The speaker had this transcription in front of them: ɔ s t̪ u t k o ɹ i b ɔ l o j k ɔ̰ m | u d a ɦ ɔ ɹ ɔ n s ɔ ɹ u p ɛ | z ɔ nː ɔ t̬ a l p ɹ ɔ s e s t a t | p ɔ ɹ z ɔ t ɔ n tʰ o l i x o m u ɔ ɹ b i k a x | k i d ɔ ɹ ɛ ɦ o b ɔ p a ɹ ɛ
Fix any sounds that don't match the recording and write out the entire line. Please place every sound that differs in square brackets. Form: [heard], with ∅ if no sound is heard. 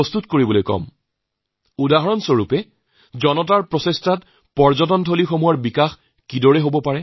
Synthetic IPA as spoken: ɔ s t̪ u t k o ɹ i b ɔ l o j k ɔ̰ m | u d a ɦ ɔ ɹ ɔ n s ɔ ɹ u p ɛ | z ɔ [n] ɔ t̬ a [ɹ] p ɹ ɔ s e s t a t | p ɔ ɹ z ɔ t ɔ n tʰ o l i x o m u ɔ ɹ b i k a x | k i d ɔ ɹ ɛ ɦ o b ɔ p a ɹ ɛ